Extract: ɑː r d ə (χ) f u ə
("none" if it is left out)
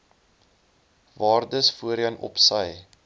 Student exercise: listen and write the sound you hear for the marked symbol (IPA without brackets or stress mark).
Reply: s